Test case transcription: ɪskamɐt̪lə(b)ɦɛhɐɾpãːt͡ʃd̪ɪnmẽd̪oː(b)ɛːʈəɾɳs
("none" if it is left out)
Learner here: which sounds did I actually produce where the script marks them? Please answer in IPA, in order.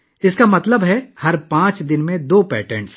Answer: b, p

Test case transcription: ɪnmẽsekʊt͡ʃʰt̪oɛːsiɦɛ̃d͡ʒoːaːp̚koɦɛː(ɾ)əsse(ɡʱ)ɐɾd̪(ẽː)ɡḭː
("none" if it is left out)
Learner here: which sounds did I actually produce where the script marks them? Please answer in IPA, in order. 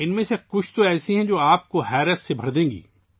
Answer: ɾ, bʱ, ẽː

